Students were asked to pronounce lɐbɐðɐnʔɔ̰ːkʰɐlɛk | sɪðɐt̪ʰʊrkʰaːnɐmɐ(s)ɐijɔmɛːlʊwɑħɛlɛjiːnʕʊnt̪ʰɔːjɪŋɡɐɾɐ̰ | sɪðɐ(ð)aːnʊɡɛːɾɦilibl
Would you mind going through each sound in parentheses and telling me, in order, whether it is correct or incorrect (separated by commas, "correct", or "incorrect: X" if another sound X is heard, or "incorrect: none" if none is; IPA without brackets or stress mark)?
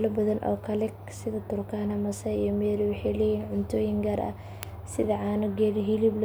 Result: correct, incorrect: ʕ